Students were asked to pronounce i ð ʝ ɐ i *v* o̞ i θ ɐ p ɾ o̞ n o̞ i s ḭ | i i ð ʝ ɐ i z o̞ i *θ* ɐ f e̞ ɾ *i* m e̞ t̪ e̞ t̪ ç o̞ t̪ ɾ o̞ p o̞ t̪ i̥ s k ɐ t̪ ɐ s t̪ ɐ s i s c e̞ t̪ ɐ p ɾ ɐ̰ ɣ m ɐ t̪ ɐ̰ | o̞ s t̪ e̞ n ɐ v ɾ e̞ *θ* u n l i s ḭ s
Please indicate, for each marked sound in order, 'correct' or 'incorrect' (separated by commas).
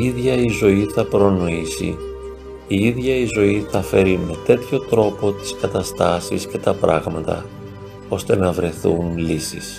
incorrect, correct, correct, correct